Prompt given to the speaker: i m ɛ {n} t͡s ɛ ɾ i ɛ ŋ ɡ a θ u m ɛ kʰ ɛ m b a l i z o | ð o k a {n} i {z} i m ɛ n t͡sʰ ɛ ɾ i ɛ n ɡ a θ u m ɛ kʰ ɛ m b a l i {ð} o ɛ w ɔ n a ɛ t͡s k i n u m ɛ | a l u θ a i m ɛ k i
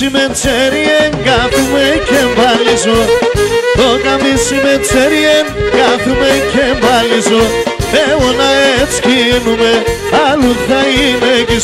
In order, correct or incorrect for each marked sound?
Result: correct, incorrect: m, incorrect: s, incorrect: z

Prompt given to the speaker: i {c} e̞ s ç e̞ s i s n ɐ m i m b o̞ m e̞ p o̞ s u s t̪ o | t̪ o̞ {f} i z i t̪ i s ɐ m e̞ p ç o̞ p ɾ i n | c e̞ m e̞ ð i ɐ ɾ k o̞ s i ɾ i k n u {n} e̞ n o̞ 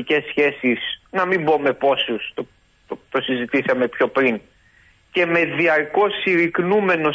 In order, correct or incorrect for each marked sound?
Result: correct, incorrect: s, incorrect: m

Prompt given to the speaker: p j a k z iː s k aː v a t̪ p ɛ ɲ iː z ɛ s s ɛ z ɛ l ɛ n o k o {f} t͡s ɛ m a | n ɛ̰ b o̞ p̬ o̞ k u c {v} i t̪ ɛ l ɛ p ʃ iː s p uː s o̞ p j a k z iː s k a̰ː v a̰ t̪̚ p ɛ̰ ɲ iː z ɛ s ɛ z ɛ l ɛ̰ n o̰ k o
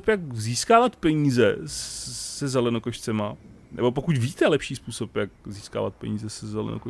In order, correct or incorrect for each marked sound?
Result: incorrect: ʃ, correct

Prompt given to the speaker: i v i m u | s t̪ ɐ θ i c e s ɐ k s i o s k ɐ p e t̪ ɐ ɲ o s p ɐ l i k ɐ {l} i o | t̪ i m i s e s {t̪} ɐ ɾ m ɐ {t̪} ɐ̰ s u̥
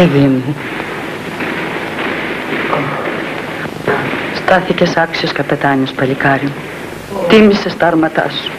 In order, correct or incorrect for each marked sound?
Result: incorrect: ɾ, correct, correct

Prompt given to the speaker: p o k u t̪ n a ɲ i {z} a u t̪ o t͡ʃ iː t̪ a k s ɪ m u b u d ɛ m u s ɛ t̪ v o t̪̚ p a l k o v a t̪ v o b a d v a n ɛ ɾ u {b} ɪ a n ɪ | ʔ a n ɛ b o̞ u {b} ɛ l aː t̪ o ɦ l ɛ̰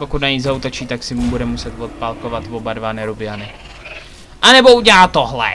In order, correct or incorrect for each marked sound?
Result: correct, correct, incorrect: ɟ

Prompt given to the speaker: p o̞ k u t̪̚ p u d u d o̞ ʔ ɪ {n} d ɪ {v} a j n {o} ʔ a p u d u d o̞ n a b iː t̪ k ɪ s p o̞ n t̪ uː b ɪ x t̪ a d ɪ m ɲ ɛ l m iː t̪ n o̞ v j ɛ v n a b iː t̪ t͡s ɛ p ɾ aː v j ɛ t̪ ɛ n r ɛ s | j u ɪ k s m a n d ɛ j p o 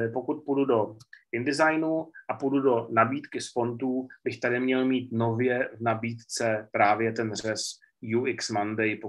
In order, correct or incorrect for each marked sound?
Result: correct, incorrect: z, incorrect: u

